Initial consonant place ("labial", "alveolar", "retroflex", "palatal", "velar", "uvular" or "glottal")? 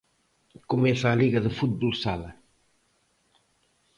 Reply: velar